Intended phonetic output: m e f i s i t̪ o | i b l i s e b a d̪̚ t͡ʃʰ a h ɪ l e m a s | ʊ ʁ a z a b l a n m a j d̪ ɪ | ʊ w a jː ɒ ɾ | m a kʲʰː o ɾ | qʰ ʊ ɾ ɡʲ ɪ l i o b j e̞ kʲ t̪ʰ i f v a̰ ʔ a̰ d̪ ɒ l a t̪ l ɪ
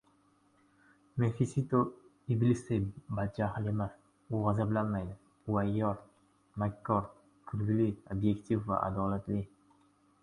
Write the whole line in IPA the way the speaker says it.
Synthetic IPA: m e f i s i t̪ o | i b l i s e b a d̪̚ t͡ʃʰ a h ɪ l e m a s | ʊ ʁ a z a b l a n m a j d̪ ɪ | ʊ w a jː ɒ ɾ | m a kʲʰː ɒ ɾ | kʰ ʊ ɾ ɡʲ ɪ l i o b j e̞ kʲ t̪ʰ i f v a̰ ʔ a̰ d̪ ɒ l a t̪ l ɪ